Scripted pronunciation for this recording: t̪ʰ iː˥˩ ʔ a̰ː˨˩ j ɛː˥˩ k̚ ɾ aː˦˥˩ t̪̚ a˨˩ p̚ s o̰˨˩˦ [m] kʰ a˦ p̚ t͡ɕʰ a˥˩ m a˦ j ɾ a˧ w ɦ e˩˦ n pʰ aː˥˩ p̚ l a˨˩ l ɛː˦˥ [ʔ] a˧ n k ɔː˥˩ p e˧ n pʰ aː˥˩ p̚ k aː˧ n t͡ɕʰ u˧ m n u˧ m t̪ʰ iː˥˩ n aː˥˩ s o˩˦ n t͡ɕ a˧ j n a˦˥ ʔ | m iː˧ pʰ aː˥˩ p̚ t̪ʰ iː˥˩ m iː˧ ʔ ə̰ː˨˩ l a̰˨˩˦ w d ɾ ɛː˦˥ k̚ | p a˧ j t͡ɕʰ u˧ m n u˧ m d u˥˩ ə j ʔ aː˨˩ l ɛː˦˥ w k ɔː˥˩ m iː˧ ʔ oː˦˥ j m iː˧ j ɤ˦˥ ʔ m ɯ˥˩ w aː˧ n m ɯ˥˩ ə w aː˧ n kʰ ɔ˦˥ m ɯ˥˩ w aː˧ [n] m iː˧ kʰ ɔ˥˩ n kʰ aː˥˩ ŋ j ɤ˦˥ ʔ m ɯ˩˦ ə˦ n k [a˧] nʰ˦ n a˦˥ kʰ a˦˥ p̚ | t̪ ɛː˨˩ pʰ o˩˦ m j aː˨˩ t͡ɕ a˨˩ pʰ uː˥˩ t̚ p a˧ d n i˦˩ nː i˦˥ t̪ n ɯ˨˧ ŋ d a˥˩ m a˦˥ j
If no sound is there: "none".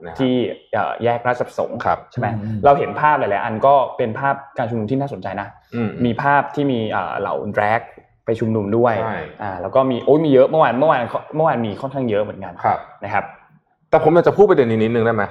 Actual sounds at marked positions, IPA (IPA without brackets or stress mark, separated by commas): ŋ, ʔ, n, a˧